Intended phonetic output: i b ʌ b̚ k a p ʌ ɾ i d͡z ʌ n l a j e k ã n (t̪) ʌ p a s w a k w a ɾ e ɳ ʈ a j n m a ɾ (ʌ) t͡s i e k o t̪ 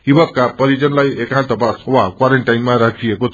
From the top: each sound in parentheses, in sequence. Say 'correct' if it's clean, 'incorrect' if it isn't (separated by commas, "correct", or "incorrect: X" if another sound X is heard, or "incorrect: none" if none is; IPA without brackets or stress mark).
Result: correct, incorrect: a